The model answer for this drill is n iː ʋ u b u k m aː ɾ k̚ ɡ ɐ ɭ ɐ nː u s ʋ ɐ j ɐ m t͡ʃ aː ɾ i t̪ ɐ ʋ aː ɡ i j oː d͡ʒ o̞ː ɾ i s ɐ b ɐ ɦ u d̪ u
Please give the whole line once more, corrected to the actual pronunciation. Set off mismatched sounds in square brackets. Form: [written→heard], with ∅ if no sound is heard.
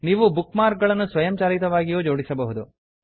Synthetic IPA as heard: n iː ʋ u b u k m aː ɾ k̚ ɡ ɐ ɭ ɐ nː u s ʋ ɐ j ɐ m t͡ʃ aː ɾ i t̪ ɐ ʋ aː ɡ i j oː d͡ʒ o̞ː [ɾ→ɽ] i s ɐ b ɐ ɦ u d̪ u